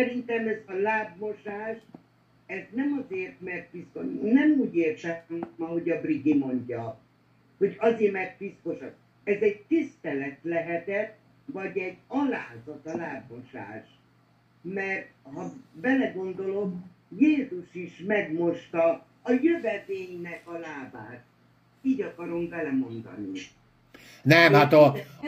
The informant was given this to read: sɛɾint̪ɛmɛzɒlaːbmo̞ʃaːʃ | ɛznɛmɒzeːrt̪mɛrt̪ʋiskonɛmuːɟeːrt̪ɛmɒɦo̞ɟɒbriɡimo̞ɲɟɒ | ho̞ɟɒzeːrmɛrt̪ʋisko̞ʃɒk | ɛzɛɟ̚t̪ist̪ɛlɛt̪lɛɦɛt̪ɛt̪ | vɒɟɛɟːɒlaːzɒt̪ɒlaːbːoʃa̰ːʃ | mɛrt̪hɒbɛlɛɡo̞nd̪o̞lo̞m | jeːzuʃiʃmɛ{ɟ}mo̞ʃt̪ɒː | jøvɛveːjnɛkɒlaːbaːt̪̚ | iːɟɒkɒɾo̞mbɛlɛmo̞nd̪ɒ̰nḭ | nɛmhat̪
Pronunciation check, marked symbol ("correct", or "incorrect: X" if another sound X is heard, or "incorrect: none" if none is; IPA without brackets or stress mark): incorrect: ɡ